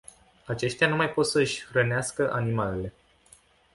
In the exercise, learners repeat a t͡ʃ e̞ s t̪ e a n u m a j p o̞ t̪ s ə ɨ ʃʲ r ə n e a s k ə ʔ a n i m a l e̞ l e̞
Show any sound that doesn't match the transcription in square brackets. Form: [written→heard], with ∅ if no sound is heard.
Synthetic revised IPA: a t͡ʃ e̞ [s→ʃ] t̪ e a n u m a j p o̞ t̪ s ə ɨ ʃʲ r ə n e a s k ə ʔ a n i m a l e̞ l e̞